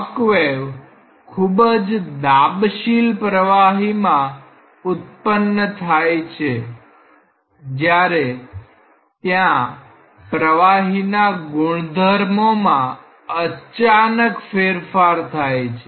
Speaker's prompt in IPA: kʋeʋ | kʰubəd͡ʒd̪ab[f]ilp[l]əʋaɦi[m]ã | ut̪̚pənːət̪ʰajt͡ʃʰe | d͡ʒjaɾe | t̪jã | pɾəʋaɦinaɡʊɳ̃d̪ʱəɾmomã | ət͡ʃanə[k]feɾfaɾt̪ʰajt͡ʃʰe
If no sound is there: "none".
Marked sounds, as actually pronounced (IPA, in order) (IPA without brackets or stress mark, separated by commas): ʃ, ɾ, m, k